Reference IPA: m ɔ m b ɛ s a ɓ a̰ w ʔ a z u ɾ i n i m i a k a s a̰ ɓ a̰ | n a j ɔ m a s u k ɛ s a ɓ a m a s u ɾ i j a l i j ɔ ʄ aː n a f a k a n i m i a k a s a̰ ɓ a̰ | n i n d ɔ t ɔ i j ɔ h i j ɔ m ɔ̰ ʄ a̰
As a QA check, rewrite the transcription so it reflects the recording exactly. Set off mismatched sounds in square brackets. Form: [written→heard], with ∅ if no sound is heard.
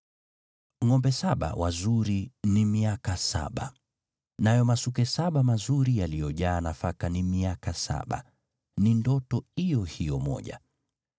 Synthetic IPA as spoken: [m→ŋ] ɔ m b ɛ s a ɓ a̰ w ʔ a z u ɾ i n i m i a k a s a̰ ɓ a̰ | n a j ɔ m a s u k ɛ s a ɓ a m a [s→z] u ɾ i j a l i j ɔ ʄ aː n a f a k a n i m i a k a s a̰ ɓ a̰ | n i n d ɔ t ɔ i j ɔ h i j ɔ m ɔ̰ ʄ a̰

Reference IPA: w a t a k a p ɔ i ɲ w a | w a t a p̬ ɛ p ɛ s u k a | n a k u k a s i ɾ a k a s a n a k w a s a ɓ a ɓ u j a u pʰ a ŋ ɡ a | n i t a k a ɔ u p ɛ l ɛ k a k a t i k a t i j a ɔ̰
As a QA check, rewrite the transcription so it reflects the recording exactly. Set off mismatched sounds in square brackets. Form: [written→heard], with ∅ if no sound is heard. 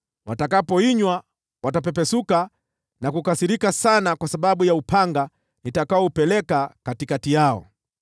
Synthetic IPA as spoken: w a t a k a p ɔ i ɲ w a | w a t a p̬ ɛ p ɛ s u k a | n a k u k a s i ɾ [a→i] k a s a n a k w a s a ɓ a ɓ u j a u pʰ a ŋ ɡ a | n i t a k a ɔ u p ɛ l ɛ k a k a t i k a t i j a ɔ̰

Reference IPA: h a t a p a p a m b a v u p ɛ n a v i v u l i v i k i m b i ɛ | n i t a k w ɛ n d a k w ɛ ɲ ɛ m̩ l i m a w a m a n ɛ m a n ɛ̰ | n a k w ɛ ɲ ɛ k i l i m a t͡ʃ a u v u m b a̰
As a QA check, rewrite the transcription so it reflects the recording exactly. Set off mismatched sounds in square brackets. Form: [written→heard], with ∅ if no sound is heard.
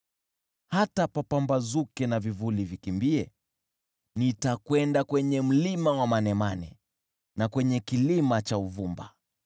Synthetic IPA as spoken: h a t a p a p a m b a [v→z] u [p→k] ɛ n a v i v u l i v i k i m b i ɛ | n i t a k w ɛ n d a k w ɛ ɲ ɛ m̩ l i m a w a m a n ɛ m a n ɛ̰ | n a k w ɛ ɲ ɛ k i l i m a t͡ʃ a u v u m b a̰

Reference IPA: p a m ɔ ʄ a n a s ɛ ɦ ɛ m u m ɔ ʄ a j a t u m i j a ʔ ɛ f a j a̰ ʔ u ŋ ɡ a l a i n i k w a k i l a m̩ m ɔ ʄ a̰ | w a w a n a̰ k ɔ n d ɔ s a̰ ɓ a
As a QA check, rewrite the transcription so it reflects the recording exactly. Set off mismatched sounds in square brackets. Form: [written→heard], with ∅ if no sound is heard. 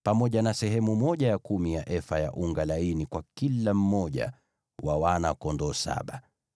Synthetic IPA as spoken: p a m ɔ ʄ a n a s ɛ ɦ ɛ m u m ɔ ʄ a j a [t→k] u m i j a ʔ ɛ f a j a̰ ʔ u ŋ ɡ a l a i n i k w a k i l a m̩ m ɔ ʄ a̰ | w a w a n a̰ k ɔ n d ɔ s a̰ ɓ a

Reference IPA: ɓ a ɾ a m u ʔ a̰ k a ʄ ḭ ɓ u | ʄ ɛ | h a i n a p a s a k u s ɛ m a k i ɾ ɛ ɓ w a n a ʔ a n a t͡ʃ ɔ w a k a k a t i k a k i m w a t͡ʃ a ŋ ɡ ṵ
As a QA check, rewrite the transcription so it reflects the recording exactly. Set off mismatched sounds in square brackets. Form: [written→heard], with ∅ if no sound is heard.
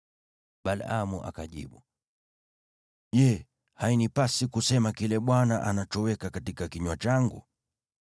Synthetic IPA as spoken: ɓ a [ɾ→l] a m u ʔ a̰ k a ʄ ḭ ɓ u | ʄ ɛ | h a i n [a→i] p a s [a→i] k u s ɛ m a k i [ɾ→l] ɛ ɓ w a n a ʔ a n a t͡ʃ ɔ w [a→ɛ] k a k a t i k a k i [m→ɲ] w a t͡ʃ a ŋ ɡ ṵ

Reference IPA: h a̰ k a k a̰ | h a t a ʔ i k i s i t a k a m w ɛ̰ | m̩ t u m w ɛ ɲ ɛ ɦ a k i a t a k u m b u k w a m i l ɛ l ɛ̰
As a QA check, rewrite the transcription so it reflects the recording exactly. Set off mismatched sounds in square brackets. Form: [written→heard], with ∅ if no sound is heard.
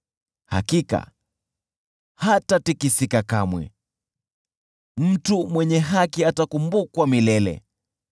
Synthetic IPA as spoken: h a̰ k [a→i] k a̰ | h a t a [ʔ→t] i k i s i [t→k] a k a m w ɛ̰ | m̩ t u m w ɛ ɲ ɛ ɦ a k i a t a k u m b u k w a m i l ɛ l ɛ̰

